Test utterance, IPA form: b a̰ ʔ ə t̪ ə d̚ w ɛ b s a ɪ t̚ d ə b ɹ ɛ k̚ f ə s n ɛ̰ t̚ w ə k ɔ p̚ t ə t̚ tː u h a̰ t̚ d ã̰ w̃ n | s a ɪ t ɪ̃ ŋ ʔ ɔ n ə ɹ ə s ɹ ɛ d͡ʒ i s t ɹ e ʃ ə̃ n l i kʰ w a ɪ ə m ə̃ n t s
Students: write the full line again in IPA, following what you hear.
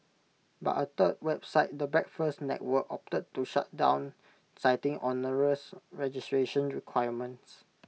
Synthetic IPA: b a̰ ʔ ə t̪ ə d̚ w ɛ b s a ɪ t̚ d ə b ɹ ɛ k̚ f ə s n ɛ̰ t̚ w ə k ɔ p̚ t ə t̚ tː u ʃ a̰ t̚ d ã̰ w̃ n | s a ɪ t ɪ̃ ŋ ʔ ɔ n ə ɹ ə s ɹ ɛ d͡ʒ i s t ɹ e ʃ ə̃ n ɹ i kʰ w a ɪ ə m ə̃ n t s

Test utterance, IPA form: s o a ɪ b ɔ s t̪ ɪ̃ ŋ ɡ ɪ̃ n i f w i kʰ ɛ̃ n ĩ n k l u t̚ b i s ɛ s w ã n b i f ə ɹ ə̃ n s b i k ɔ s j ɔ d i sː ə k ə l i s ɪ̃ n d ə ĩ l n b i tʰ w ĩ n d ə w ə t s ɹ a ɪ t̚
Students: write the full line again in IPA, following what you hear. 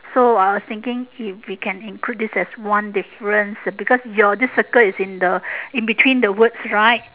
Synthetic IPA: s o a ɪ w ɔ s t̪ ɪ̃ ŋ k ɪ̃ ŋ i f w i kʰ ɛ̃ n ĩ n k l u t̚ d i s ɛ s w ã n d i f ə ɹ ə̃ n s b i k ɔ s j ɔ d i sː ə k ə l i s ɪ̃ n d ə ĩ n b i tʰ w ĩ n d ə w ə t s ɹ a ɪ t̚

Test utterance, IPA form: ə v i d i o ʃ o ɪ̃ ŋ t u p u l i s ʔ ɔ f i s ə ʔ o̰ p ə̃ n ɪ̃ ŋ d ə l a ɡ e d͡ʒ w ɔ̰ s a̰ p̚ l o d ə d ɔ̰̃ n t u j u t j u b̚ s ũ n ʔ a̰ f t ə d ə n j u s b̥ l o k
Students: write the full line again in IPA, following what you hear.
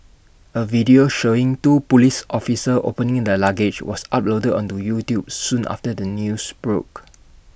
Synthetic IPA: ə v i d i o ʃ o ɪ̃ ŋ t u p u l i s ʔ ɔ f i s ə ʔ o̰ p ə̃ n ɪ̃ ŋ d ə l a ɡ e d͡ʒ w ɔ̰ s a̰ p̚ l o d ə d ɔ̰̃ n t u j u t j u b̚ s ũ n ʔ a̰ f t ə d ə n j u s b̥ ɹ o k

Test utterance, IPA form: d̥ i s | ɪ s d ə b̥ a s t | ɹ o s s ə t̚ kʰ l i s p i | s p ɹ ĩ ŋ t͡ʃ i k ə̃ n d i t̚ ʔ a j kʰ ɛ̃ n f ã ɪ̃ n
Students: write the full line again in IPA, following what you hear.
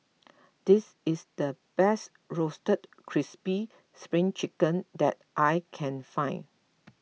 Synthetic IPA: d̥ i s | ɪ s d ə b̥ ɛ s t | ɹ o s t ə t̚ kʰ ɹ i s p i | s p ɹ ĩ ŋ t͡ʃ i k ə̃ n d ɛ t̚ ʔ a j kʰ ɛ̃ n f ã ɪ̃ n

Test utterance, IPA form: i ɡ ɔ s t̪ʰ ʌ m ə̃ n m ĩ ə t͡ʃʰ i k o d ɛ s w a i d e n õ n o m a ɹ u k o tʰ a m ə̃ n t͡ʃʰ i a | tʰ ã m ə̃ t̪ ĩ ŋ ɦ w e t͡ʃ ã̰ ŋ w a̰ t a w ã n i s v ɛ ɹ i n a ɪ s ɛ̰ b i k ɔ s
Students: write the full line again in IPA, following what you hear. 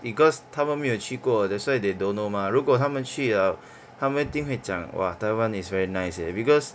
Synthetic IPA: i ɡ ɔ s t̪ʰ a m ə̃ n m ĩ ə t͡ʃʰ i k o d ɛ s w a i d e d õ n o m a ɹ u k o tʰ a m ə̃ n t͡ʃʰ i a | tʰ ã m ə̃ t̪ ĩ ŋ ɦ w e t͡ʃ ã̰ ŋ w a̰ t a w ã n i s v ɛ ɹ i n a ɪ s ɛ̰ b i k ɔ s

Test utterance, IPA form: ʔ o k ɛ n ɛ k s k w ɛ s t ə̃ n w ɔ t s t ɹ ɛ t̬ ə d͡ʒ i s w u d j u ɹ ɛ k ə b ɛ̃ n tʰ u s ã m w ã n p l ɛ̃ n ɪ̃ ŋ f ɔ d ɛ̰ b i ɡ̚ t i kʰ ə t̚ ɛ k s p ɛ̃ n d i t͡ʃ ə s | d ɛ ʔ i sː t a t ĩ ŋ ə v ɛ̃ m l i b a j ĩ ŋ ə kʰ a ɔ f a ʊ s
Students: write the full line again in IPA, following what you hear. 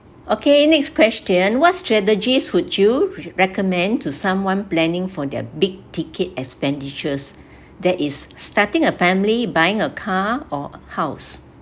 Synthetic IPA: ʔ o k e n ɛ k s k w ɛ s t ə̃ n w ɔ t s t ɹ ɛ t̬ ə d͡ʒ i s w u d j u ɹ ɛ k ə m ɛ̃ n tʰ u s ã m w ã n p l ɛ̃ n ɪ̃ ŋ f ɔ d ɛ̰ b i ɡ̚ t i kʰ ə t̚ ɛ k s p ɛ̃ n d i t͡ʃ ə s | d ɛ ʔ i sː t a t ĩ ŋ ə f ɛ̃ m l i b a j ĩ ŋ ə kʰ a ɔ h a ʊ s

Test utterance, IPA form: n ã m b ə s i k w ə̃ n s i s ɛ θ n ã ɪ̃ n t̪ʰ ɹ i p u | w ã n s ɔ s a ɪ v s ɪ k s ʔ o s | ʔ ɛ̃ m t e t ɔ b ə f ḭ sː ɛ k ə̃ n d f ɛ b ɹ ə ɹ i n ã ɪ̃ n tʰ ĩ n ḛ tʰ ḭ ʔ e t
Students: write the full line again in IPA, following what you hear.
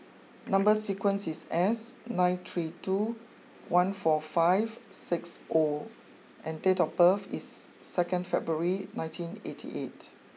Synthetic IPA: n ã m b ə s i k w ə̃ n s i s ɛ s n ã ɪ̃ n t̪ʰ ɹ i t u | w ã n f ɔ f a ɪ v s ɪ k s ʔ o | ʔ ɛ̃ n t e t ɔ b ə f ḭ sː ɛ k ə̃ n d f ɛ b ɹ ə ɹ i n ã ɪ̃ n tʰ ĩ n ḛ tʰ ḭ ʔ e t

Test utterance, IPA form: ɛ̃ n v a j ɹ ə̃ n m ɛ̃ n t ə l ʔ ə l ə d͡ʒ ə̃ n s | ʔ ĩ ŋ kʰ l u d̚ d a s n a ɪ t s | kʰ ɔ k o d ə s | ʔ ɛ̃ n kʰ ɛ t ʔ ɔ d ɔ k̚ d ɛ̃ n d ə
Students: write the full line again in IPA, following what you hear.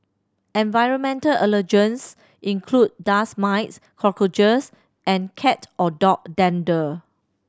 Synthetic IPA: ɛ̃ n v a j ɹ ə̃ n m ɛ̃ n t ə l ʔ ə l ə d͡ʒ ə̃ n s | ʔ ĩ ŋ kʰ l u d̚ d a s m a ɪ t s | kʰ ɔ k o d͡ʒ ə s | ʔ ɛ̃ n kʰ ɛ t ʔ ɔ d ɔ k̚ d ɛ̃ n d ə

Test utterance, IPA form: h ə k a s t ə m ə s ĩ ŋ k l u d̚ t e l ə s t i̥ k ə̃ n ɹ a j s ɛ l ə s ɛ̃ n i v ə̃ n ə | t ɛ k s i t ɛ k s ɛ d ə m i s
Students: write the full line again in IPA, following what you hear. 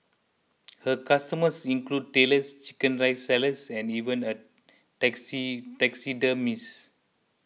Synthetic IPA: h ə k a s t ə m ə s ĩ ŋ k l u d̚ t e l ə s t͡ʃ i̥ k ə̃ n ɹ a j s ɛ l ə s ɛ̃ n i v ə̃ n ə | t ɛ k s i t ɛ k s i d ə m i s

